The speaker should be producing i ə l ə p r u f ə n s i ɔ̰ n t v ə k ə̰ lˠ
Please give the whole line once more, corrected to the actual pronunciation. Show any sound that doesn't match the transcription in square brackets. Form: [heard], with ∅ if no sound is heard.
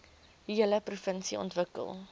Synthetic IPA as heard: i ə l ə p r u f ə n s i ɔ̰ n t v ə k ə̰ lˠ